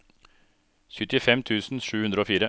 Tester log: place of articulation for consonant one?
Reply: palatal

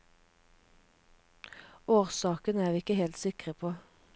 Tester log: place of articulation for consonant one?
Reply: uvular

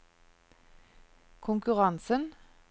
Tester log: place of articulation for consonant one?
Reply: velar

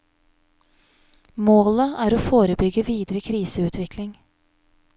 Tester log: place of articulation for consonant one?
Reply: labial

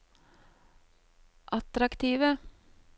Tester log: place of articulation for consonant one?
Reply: glottal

